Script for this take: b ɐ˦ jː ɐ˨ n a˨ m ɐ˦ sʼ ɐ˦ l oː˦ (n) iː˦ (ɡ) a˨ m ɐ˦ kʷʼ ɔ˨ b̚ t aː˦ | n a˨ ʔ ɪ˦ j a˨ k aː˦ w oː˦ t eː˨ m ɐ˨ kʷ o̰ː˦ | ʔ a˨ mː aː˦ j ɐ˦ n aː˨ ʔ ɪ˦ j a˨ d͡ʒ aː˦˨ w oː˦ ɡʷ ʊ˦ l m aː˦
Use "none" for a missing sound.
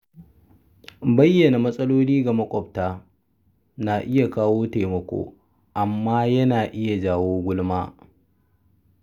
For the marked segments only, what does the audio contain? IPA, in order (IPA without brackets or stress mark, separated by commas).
n, ɡ